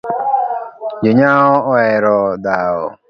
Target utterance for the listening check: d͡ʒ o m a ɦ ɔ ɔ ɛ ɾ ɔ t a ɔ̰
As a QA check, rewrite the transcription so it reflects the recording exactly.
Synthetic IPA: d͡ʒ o ɲ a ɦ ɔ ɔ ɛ ɾ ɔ d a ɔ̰

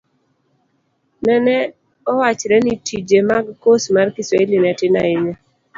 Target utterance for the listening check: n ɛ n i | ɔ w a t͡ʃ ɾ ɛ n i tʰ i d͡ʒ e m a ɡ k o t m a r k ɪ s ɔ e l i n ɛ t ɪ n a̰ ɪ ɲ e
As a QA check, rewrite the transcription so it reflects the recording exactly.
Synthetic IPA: n ɛ n ɛ | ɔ w a t͡ʃ ɾ ɛ n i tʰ i d͡ʒ e m a ɡ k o s m a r k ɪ s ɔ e l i n ɛ t ɪ n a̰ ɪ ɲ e

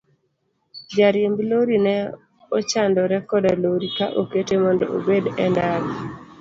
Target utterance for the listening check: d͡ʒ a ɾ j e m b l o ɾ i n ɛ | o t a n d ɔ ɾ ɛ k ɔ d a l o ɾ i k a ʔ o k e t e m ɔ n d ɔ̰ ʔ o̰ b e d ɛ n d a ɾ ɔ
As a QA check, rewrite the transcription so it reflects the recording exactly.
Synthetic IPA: d͡ʒ a ɾ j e m b l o ɾ i n ɛ | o t͡ʃ a n d ɔ ɾ ɛ k ɔ d a l o ɾ i k a ʔ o k e t e m ɔ n d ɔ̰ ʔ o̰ b e d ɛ n d a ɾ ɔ

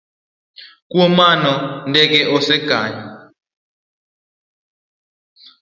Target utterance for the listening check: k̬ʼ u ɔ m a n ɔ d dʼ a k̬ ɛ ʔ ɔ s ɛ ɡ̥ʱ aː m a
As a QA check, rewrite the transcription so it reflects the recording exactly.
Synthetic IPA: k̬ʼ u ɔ m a n ɔ n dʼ ɛ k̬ ɛ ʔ ɔ s ɛ ɡ̥ʱ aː ɲ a

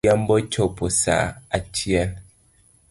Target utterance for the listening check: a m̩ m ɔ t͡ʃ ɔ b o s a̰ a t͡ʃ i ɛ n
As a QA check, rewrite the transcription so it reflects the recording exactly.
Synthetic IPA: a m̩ b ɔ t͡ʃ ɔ p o s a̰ a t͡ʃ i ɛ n

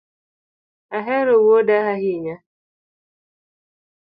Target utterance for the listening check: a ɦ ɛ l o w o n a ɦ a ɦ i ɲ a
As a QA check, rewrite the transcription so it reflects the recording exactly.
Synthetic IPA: a ɦ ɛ ɾ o w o d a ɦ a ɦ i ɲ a

